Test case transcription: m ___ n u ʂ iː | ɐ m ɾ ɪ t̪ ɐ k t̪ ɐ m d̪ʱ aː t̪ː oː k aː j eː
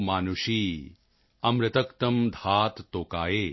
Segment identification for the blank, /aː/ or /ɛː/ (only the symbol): aː